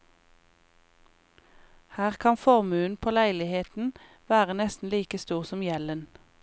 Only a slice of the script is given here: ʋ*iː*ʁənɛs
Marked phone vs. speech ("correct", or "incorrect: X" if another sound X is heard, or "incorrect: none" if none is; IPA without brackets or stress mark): incorrect: æː